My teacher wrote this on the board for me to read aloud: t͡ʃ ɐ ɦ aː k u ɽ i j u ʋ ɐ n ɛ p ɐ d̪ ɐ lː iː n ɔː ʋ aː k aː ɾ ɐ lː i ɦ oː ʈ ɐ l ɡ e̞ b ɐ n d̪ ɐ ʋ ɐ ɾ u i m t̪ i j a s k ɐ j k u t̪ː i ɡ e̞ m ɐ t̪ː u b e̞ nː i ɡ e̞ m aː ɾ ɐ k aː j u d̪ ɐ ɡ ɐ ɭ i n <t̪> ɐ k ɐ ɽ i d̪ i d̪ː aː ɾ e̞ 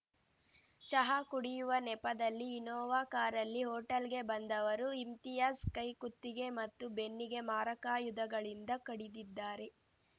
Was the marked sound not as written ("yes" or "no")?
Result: yes